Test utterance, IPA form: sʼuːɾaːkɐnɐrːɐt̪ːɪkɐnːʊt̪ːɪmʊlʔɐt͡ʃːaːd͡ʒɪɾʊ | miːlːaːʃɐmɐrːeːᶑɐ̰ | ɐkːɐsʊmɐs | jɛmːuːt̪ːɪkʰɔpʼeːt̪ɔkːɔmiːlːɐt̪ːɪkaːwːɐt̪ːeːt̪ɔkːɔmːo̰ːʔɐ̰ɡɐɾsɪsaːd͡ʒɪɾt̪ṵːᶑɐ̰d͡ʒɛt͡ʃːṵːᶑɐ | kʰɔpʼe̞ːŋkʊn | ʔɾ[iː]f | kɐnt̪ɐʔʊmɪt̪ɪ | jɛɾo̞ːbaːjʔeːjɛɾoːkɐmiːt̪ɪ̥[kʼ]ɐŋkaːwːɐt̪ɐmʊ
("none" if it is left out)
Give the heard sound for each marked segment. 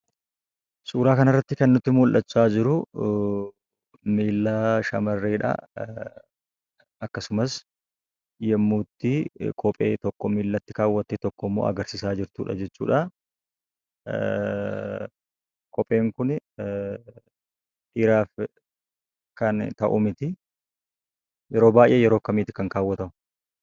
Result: aː, k

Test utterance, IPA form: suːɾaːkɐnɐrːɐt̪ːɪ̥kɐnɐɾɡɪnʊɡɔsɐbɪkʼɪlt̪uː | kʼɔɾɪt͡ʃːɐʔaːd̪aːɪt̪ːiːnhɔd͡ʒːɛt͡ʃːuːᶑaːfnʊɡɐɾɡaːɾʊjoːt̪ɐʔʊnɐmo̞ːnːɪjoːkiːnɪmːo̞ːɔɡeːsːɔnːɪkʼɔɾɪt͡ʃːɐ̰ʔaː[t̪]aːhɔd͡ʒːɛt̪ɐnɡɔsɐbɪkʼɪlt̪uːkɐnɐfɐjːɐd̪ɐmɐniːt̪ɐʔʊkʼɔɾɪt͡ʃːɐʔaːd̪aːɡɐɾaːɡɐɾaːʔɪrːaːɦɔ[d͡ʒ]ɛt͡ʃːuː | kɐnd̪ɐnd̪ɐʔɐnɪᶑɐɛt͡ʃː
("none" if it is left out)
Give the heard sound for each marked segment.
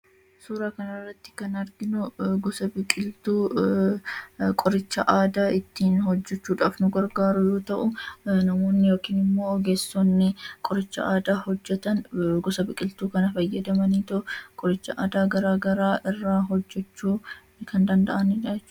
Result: d̪, d͡ʒː

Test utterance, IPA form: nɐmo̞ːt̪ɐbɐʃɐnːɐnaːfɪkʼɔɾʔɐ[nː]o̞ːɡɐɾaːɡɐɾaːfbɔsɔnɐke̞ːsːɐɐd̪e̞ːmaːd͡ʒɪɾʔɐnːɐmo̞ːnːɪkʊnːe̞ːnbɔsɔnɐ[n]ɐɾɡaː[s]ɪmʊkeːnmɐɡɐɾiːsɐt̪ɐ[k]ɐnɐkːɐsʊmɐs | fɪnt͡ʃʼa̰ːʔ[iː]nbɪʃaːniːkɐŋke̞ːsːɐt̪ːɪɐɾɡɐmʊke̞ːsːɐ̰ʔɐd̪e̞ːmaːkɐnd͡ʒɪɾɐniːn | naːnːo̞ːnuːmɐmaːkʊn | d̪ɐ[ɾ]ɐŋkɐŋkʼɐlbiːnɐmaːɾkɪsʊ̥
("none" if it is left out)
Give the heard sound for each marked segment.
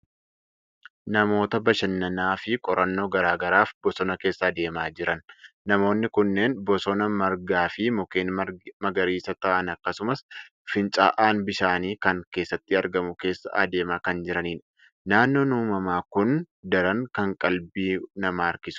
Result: nː, m, f, ʔ, aː, ɾ

